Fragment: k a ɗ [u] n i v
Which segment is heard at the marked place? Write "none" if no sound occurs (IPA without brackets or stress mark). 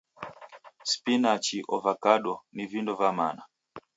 ɔ